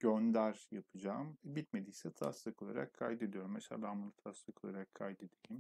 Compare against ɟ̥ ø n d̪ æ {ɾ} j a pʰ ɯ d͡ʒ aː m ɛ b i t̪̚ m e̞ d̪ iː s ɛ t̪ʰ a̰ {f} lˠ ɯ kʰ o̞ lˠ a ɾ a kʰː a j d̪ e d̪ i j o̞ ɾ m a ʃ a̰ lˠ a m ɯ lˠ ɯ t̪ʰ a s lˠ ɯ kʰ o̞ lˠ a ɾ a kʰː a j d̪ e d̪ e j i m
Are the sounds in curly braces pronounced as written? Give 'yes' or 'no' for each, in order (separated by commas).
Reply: yes, no